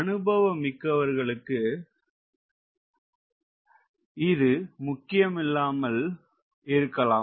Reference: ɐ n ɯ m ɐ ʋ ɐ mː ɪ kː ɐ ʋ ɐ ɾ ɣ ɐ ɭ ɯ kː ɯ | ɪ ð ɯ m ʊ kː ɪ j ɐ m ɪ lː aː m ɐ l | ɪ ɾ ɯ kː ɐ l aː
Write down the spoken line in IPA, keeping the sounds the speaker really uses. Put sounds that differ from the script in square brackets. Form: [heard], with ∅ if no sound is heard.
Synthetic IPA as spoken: ɐ n ɯ [b] ɐ ʋ ɐ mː ɪ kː ɐ ʋ ɐ ɾ ɣ ɐ ɭ ɯ kː ɯ | ɪ ð ɯ m ʊ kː ɪ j ɐ m ɪ lː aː m ɐ l | ɪ ɾ ɯ kː ɐ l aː